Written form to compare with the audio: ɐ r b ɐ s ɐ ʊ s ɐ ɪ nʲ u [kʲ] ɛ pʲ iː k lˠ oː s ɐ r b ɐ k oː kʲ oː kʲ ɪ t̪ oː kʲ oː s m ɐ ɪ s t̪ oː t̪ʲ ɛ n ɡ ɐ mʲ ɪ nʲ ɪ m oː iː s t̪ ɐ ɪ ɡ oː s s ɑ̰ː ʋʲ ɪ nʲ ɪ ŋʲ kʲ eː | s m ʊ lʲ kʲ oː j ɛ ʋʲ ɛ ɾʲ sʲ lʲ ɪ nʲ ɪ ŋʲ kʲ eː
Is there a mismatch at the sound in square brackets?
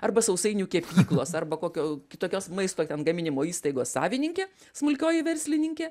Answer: no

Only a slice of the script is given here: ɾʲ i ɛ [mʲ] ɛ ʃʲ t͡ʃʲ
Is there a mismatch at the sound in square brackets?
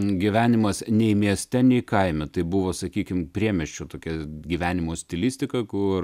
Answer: no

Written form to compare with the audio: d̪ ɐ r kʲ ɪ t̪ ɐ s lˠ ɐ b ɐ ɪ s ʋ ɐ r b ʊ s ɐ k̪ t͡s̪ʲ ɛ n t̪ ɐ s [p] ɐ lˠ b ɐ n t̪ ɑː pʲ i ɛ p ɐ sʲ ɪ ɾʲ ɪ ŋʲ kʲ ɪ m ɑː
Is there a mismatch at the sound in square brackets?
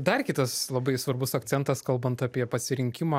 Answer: yes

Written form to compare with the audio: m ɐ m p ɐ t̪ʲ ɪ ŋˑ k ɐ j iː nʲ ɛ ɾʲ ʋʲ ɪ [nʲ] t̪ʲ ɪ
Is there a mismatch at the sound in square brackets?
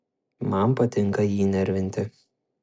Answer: no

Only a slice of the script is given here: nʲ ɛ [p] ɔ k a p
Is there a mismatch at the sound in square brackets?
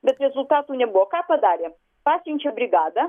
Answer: yes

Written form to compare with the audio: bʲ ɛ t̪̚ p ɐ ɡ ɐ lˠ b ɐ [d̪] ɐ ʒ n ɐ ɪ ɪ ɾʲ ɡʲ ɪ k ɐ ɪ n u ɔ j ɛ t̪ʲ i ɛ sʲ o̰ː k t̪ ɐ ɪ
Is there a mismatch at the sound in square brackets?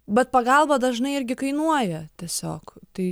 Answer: no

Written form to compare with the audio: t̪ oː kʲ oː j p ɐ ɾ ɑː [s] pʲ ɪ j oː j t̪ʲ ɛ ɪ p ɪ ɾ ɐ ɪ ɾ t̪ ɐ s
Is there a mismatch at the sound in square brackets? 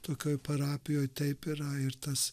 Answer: yes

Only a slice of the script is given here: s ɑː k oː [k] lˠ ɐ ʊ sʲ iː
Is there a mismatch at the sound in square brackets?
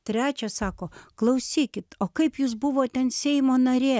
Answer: no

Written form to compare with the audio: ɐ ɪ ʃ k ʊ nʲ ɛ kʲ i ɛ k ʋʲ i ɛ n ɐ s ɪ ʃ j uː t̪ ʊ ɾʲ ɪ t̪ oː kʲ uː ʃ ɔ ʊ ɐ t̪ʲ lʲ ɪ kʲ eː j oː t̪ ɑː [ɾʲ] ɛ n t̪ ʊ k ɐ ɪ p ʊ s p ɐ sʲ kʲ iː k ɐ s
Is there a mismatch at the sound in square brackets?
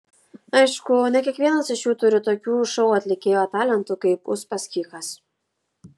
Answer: yes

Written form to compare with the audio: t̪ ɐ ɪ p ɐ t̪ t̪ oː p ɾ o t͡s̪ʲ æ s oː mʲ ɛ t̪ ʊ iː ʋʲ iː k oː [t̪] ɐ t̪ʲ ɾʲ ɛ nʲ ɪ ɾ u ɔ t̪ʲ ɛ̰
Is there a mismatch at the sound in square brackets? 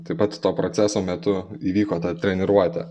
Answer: no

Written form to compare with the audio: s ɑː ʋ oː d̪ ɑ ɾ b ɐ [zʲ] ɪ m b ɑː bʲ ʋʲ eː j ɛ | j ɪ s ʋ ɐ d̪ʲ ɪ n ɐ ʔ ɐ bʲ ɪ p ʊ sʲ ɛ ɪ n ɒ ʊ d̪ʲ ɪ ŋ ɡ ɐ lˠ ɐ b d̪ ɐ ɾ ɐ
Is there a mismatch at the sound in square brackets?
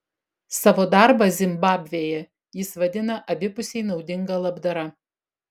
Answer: no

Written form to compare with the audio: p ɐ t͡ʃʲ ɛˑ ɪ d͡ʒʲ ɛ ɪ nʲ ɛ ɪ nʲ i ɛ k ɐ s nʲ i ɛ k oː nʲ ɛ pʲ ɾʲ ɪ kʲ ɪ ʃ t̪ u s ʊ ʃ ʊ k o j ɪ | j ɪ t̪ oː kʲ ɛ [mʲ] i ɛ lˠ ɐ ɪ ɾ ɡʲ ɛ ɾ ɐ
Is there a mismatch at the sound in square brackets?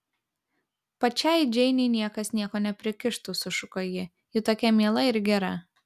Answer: no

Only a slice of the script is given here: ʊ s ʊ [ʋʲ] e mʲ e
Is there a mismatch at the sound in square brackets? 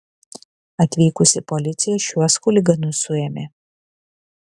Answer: yes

